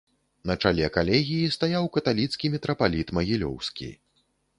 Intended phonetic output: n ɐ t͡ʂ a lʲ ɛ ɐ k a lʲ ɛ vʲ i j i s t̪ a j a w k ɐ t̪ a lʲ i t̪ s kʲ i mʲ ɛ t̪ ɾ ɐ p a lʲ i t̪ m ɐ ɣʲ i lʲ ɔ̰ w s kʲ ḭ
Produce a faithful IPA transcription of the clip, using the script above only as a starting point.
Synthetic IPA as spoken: n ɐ t͡ʂ a lʲ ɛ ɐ k a lʲ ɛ ɣʲ i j i s t̪ a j a w k ɐ t̪ a lʲ i t̪ s kʲ i mʲ ɛ t̪ ɾ ɐ p a lʲ i t̪ m ɐ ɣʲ i lʲ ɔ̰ w s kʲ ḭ